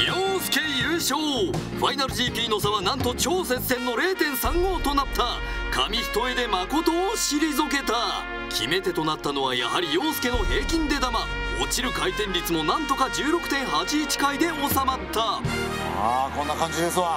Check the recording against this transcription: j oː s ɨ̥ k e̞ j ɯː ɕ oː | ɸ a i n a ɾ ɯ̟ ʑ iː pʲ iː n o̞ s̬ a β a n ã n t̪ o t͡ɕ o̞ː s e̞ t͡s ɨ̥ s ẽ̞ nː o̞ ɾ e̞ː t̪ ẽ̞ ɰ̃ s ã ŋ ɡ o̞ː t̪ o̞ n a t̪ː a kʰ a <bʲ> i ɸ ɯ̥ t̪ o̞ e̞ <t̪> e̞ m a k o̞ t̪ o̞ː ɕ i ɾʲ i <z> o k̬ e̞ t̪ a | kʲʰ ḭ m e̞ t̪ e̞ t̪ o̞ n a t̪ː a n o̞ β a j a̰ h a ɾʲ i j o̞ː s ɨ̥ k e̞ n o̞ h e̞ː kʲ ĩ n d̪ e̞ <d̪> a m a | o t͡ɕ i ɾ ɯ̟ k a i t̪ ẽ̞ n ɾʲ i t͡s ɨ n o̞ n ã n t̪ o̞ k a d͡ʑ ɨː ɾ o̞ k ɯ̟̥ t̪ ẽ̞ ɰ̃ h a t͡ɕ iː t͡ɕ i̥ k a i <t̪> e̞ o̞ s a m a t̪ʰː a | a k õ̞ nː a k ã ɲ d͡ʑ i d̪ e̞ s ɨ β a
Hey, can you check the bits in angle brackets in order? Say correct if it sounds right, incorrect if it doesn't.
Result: incorrect, incorrect, correct, correct, incorrect

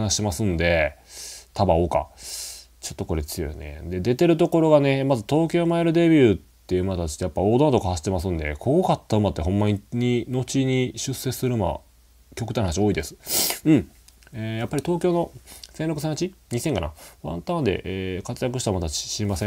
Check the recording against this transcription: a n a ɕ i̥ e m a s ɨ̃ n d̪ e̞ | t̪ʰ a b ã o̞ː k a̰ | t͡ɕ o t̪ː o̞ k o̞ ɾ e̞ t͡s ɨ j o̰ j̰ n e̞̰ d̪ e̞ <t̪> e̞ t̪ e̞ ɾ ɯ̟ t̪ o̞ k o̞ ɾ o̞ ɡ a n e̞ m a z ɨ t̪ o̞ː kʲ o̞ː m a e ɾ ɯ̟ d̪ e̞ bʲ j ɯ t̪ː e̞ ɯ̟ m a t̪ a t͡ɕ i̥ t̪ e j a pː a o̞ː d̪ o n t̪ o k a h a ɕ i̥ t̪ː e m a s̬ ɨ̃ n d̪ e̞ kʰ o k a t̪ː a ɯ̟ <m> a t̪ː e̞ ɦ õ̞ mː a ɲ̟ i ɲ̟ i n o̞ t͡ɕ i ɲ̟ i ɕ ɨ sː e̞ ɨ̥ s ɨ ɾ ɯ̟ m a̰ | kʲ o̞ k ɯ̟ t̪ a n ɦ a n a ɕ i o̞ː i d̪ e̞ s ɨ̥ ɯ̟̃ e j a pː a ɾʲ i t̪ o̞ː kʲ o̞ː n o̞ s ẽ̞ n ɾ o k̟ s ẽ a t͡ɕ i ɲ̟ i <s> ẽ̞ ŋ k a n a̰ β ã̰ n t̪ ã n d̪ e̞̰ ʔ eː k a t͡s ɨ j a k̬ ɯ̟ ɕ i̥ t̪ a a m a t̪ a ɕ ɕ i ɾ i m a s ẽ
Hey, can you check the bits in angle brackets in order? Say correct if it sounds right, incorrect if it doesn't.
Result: incorrect, correct, correct

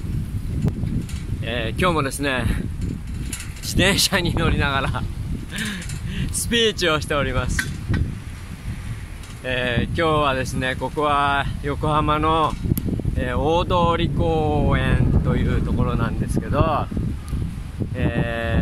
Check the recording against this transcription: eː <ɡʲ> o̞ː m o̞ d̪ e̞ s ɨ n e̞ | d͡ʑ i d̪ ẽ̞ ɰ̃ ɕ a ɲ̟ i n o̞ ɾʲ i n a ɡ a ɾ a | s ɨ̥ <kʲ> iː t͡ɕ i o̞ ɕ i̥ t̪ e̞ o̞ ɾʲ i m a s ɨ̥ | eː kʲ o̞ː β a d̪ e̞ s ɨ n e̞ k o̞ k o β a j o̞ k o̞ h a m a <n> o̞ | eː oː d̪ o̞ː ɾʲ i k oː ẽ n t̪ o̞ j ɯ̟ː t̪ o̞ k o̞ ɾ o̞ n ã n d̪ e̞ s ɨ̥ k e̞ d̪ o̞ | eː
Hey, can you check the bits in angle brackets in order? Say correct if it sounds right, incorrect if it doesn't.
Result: incorrect, incorrect, correct

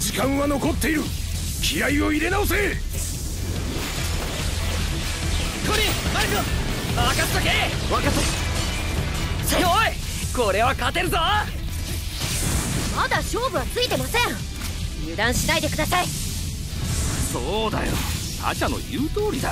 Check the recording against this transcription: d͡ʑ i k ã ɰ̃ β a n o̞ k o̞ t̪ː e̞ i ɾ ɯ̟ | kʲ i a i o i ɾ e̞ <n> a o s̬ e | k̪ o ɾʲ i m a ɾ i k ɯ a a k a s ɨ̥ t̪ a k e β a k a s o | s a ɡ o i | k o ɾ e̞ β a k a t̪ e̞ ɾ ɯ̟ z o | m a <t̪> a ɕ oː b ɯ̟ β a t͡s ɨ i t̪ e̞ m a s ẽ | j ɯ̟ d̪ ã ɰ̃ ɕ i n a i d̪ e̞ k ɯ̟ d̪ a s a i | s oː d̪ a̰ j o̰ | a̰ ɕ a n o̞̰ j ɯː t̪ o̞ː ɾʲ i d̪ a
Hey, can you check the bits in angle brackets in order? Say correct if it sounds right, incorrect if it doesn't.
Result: correct, incorrect

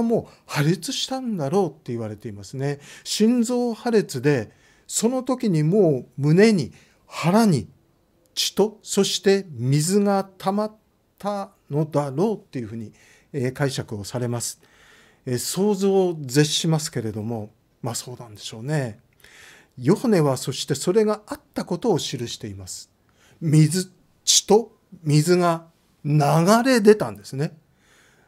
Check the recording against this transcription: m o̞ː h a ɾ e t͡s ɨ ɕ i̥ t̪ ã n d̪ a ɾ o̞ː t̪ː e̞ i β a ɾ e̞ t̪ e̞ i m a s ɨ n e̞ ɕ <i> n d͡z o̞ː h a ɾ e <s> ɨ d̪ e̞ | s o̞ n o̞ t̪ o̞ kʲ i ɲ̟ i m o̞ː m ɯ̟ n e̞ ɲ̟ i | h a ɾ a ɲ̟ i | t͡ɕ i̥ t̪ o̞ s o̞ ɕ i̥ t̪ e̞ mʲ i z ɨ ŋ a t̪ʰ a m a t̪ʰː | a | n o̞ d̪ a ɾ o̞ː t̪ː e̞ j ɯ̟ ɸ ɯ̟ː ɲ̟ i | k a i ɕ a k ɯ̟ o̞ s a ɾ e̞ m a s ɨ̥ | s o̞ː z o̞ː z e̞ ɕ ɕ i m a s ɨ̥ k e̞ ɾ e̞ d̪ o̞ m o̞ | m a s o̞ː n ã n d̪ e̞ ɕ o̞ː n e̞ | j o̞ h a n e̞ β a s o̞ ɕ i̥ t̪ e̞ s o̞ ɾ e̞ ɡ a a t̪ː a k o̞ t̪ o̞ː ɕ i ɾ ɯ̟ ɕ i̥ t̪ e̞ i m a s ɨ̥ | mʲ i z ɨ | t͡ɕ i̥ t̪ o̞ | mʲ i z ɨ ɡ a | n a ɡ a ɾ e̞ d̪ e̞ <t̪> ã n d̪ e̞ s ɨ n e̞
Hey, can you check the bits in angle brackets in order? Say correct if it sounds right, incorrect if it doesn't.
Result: incorrect, incorrect, correct

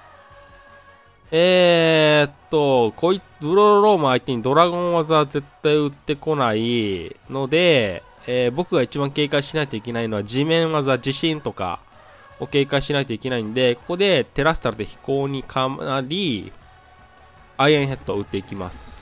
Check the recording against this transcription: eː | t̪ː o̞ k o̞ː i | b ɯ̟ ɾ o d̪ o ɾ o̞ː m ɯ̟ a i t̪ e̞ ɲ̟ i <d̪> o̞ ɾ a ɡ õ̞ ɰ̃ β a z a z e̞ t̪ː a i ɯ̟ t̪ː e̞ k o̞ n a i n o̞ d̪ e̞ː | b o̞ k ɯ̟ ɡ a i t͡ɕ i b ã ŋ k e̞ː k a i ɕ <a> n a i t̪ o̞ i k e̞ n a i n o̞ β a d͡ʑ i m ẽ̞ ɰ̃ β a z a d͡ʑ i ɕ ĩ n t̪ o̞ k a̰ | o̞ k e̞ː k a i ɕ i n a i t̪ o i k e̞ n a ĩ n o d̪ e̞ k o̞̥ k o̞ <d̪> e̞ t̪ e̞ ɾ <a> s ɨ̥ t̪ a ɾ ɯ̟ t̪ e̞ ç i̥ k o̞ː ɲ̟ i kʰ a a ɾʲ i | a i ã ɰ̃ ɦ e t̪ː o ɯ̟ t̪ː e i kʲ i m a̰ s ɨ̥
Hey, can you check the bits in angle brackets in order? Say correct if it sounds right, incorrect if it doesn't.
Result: correct, incorrect, correct, correct

